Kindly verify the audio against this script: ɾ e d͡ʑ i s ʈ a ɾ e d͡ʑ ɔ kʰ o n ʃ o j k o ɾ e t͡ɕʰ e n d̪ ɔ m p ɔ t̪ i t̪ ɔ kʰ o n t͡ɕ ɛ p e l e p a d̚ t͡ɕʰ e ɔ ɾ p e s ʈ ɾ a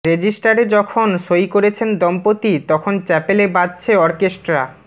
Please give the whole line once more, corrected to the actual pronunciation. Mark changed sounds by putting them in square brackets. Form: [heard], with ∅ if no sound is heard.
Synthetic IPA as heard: ɾ e d͡ʑ i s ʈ a ɾ e d͡ʑ ɔ kʰ o n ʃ o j k o ɾ e t͡ɕʰ e n d̪ ɔ m p [o] t̪ i t̪ ɔ kʰ o n t͡ɕ ɛ p e l e [b] a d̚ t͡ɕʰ e ɔ ɾ [k] e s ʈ ɾ a